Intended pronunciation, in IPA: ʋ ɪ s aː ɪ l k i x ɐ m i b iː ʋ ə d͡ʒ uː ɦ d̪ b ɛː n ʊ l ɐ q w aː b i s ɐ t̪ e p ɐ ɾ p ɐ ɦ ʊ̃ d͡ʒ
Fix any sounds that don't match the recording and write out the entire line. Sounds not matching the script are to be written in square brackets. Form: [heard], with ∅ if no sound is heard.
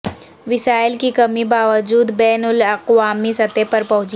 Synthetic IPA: ʋ ɪ s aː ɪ l k i [k] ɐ m i b [aː] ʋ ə d͡ʒ uː [∅] d̪ b ɛː n ʊ l ɐ q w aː [m] i s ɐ t̪ e p ɐ ɾ p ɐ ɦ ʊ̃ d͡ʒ